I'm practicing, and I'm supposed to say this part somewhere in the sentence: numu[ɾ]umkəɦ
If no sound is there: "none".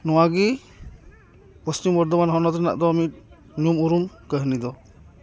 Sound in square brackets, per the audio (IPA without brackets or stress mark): ɾ